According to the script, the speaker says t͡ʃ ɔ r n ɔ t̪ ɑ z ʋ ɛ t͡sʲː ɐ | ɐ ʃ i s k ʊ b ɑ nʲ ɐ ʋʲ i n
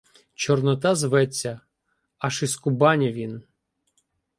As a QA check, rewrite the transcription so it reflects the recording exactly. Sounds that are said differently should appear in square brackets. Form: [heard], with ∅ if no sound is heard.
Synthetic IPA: t͡ʃ ɔ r n ɔ t̪ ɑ z ʋ ɛ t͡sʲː ɐ | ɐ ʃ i s k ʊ b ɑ nʲ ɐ ʋʲ i n